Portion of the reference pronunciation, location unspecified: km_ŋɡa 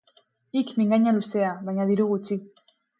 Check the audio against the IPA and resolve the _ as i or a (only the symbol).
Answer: i